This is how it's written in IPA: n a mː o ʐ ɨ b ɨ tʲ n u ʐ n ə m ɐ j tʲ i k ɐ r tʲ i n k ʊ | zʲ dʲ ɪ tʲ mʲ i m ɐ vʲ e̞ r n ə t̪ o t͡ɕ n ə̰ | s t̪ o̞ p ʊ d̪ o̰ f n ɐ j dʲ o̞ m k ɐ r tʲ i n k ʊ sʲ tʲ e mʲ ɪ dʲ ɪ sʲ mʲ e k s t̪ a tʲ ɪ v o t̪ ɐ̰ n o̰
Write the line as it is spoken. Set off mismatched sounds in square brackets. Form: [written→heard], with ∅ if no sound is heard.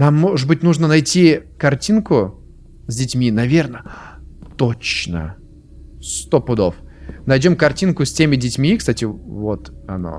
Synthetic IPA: n a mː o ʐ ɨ b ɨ tʲ n u ʐ n ə [m→n] ɐ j tʲ i k ɐ r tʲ i n k ʊ | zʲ dʲ ɪ tʲ mʲ i [m→n] ɐ vʲ e̞ r n ə t̪ o t͡ɕ n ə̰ | s t̪ o̞ p ʊ d̪ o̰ f n ɐ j dʲ o̞ m k ɐ r tʲ i n k ʊ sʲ tʲ e mʲ ɪ dʲ ɪ [sʲ→tʲ] mʲ [e→i] k s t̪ a tʲ ɪ v o t̪ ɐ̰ n o̰